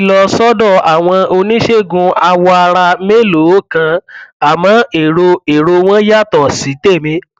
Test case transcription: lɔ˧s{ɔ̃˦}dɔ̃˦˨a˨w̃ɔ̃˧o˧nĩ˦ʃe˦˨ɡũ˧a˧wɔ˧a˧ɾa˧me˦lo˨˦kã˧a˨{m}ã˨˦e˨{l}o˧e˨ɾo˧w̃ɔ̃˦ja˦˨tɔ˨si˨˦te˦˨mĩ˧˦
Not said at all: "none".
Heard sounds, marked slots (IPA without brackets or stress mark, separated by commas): ɔ˦, m, ɾ